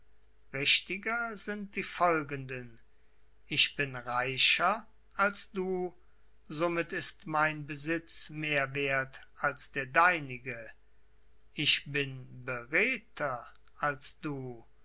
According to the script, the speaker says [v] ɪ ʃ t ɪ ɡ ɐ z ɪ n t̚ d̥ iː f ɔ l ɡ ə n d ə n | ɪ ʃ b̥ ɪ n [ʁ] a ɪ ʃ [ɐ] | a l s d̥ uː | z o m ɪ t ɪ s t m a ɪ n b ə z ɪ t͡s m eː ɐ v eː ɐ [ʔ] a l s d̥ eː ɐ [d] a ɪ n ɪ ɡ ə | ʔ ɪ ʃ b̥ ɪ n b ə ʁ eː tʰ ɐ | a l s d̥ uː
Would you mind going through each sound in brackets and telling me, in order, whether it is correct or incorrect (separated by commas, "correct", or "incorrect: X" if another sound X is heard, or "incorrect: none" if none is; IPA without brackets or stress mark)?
incorrect: ʁ, correct, correct, incorrect: t, correct